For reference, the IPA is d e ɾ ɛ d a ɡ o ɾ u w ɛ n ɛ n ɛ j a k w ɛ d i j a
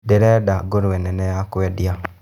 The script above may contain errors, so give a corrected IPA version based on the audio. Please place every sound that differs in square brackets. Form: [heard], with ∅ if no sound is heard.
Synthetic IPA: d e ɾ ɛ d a ɡ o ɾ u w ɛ n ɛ n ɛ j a k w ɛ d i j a